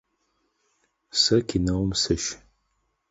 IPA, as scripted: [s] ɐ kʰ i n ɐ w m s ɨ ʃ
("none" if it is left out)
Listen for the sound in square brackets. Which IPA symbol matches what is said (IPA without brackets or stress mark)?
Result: s